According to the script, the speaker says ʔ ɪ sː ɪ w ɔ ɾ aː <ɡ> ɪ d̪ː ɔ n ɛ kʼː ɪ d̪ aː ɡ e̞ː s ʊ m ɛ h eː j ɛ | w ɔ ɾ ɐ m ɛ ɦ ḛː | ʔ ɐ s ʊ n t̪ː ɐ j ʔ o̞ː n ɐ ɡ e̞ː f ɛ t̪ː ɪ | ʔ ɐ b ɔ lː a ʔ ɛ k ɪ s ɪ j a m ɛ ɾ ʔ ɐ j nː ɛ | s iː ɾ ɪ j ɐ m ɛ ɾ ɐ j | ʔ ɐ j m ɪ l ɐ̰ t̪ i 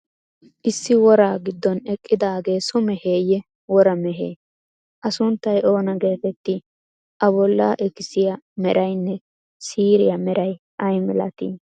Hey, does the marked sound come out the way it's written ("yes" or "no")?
yes